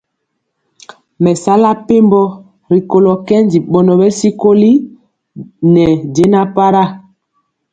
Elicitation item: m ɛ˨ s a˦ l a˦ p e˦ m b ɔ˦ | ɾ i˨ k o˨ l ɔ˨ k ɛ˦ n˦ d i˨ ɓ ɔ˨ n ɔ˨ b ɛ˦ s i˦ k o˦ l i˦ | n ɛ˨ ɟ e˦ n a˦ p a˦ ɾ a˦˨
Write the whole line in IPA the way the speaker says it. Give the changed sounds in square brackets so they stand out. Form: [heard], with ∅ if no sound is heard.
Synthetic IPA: m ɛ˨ s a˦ l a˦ p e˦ m b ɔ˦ | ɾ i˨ k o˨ l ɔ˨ k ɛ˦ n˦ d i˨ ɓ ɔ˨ n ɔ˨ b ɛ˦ s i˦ k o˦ l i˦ | n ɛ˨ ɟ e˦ n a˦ p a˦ ɾ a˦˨